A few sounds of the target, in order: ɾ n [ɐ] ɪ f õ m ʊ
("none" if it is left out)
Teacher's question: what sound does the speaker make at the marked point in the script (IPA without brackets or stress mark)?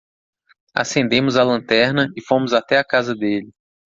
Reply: ɐ